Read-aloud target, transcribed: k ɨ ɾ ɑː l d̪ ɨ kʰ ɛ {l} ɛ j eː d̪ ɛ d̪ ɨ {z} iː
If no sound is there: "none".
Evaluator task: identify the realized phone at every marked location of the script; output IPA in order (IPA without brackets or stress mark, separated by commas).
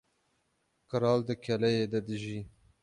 l, ʒ